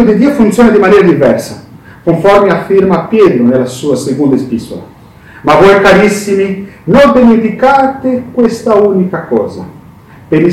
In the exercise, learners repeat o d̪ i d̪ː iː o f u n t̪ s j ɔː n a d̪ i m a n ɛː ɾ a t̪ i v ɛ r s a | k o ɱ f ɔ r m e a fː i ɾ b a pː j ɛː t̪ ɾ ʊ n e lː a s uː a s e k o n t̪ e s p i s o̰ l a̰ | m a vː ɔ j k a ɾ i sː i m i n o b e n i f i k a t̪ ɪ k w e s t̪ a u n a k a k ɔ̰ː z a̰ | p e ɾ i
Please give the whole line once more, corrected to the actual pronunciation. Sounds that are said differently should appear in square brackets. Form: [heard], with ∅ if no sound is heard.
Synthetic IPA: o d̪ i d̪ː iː o f u n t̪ s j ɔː n a d̪ i m a n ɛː ɾ a [d̪] i v ɛ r s a | k o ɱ f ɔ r m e a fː i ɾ [m] a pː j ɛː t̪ ɾ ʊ n e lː a s uː a s e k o n [d̪] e s p i s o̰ l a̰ | m a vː ɔ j k a ɾ i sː i m i n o b e n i f i k a t̪ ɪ k w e s t̪ a u n [i] k a k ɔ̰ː z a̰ | p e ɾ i